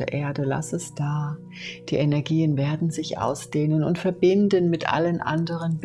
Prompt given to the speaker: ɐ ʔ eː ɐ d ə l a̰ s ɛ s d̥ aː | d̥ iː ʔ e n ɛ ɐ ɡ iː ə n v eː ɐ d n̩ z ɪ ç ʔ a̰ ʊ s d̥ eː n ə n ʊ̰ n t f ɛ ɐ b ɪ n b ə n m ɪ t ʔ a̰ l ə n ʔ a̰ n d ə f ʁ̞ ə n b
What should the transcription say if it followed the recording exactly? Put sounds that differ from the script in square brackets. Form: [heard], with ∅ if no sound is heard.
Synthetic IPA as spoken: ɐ ʔ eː ɐ d ə l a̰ s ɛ s d̥ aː | d̥ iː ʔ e n ɛ ɐ ɡ iː ə n v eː ɐ d n̩ z ɪ ç ʔ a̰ ʊ s d̥ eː n ə n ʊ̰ n t f ɛ ɐ b ɪ n [d] ə n m ɪ t ʔ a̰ l ə n ʔ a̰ n d ə [∅] ʁ̞ ə n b